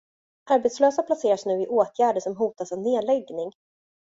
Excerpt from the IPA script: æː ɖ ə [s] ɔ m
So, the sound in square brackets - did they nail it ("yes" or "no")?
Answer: no